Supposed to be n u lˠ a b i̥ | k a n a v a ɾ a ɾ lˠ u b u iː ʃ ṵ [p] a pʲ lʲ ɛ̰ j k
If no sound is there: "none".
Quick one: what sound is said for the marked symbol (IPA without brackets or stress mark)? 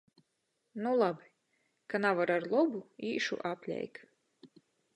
ʔ